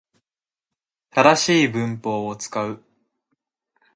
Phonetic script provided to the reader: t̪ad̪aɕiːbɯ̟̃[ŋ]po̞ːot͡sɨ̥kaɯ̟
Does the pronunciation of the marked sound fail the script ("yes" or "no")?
yes